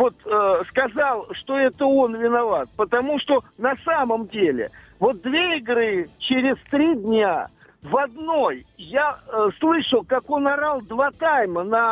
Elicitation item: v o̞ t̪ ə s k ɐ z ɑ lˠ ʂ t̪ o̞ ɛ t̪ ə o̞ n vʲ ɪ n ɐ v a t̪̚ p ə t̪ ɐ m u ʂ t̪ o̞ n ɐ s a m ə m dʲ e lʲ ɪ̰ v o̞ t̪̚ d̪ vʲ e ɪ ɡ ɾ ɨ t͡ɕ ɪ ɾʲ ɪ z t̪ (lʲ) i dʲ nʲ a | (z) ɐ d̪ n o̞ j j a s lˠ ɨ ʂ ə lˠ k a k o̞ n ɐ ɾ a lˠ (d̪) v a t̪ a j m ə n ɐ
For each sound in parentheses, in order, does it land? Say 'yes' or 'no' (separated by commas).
no, no, yes